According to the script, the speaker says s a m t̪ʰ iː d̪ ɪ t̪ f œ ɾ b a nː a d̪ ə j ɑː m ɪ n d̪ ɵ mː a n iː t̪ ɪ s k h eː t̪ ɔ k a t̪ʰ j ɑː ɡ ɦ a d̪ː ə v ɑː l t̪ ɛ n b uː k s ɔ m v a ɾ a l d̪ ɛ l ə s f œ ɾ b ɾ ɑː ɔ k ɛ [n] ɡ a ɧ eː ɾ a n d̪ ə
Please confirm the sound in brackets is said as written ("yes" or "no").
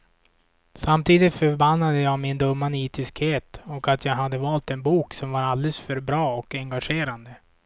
no